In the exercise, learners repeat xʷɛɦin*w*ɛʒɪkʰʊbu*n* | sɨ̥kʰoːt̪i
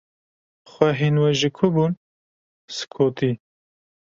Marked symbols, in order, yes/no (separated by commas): yes, yes